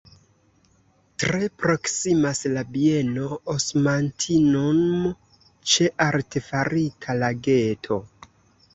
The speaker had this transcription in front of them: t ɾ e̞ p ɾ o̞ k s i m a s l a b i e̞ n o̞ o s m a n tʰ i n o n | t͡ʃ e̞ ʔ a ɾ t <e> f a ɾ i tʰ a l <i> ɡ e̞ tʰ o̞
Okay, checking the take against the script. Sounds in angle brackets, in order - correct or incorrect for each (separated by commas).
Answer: correct, incorrect